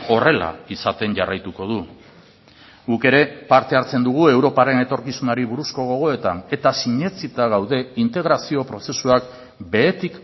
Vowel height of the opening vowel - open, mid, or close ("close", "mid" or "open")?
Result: mid